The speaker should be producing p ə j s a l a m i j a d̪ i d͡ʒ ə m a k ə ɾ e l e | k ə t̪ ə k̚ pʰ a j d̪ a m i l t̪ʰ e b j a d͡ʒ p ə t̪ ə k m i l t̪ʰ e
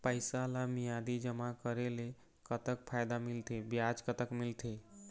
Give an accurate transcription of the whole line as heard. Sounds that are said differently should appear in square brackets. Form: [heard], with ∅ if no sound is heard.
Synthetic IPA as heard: p ə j s a l a m i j a d̪ i d͡ʒ ə m a k ə ɾ e l e | k ə t̪ ə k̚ pʰ a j d̪ a m i l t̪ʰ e b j a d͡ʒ [k] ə t̪ ə k m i l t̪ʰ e